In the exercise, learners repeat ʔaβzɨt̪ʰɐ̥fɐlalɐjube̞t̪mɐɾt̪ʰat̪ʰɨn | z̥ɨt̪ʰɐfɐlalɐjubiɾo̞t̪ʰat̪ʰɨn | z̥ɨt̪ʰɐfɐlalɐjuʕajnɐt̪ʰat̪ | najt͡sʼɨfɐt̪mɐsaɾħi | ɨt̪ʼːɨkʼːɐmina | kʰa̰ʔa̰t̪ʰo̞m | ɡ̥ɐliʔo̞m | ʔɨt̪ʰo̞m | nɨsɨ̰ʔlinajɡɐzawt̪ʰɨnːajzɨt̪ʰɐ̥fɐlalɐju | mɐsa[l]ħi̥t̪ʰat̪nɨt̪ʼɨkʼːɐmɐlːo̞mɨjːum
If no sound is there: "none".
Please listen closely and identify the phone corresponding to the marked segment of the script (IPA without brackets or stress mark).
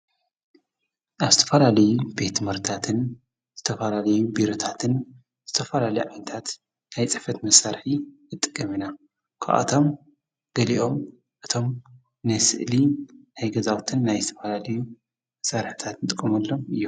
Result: ɾ